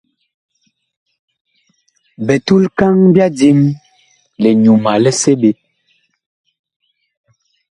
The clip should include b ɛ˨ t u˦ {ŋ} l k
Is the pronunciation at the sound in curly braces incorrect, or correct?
incorrect